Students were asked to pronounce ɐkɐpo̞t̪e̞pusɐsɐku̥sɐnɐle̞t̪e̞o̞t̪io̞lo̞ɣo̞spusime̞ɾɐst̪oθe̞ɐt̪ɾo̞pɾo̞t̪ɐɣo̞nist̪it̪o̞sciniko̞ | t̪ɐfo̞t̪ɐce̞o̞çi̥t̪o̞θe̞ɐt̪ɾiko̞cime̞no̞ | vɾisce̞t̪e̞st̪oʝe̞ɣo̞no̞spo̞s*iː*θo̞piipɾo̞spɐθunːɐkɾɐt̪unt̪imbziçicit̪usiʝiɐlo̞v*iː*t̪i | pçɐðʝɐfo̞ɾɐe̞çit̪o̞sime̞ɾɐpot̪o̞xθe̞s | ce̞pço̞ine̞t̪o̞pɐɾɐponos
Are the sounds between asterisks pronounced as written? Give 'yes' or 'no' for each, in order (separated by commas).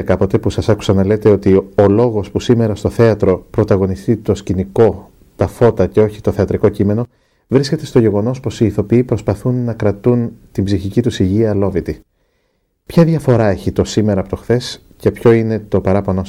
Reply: yes, no